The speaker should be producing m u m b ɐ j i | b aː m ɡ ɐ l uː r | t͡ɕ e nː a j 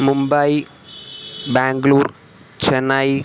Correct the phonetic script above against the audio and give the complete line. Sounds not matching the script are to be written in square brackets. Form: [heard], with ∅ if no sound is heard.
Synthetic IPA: m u m b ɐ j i | b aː [ŋ] ɡ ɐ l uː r | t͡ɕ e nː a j